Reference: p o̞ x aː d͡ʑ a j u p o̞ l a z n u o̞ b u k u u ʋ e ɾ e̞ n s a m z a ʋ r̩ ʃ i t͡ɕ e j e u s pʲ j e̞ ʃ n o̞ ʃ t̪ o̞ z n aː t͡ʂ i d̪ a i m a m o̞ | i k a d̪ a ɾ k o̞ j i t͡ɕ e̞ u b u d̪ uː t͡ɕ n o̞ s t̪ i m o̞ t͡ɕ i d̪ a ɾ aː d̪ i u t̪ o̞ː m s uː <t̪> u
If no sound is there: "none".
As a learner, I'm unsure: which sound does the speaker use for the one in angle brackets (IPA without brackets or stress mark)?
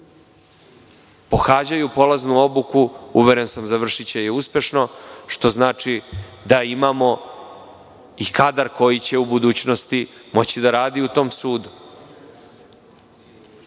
d̪